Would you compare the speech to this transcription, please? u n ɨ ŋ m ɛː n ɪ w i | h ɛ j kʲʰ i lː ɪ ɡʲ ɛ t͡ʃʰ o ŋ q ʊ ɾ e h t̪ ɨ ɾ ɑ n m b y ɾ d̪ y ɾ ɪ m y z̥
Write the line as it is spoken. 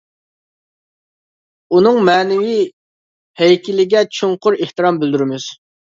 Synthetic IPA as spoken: u n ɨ ŋ m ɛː n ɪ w i | h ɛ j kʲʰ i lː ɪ ɡʲ ɛ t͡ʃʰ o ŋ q ʊ ɾ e h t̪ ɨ ɾ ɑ m b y l d̪ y ɾ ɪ m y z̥